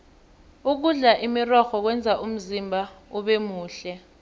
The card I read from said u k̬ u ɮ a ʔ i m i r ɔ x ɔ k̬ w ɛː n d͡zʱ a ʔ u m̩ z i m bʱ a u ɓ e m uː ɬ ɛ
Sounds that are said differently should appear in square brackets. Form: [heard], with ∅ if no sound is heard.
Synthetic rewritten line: u k̬ u ɮ a ʔ i m i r ɔ x ɔ k̬ w [ɛ] n d͡zʱ a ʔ u m̩ z i m bʱ a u ɓ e m uː ɬ ɛ